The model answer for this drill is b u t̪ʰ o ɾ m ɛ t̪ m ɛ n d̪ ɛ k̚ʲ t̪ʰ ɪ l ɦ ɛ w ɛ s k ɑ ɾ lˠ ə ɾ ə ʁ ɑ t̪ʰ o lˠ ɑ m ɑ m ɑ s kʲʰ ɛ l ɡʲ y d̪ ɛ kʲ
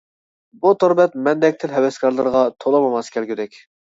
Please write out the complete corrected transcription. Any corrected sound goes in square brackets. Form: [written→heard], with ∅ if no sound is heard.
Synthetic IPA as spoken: b u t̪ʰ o ɾ [m→b] ɛ t̪ m ɛ n d̪ ɛ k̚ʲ t̪ʰ ɪ l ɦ ɛ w ɛ s k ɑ ɾ lˠ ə ɾ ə ʁ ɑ t̪ʰ o lˠ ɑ m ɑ m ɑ s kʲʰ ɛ l ɡʲ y d̪ ɛ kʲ